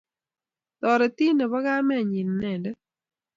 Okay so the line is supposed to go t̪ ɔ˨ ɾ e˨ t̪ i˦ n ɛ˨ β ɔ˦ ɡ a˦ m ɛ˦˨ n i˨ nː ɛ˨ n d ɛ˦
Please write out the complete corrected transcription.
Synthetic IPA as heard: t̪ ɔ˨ ɾ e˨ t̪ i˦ n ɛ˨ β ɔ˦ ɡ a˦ m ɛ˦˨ ɲ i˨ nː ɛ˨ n d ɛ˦